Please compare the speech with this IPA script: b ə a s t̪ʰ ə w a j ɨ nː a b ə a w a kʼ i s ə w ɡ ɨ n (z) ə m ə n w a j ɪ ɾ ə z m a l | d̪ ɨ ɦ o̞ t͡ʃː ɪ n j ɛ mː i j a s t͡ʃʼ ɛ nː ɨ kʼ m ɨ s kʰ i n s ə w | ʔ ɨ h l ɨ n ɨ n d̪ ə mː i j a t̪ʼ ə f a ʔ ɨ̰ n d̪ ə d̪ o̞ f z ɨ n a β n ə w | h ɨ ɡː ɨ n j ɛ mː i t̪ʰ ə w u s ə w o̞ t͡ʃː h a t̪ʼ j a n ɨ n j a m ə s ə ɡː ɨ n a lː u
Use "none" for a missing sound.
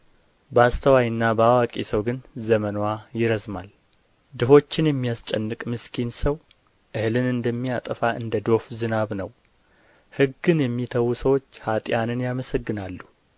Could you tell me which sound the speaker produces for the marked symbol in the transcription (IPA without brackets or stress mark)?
z